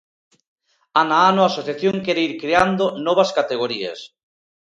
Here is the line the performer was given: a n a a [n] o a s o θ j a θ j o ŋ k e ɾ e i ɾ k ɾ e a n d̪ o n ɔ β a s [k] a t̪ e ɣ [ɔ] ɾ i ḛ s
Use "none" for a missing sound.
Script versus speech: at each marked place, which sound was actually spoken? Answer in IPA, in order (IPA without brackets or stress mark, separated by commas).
n, k, o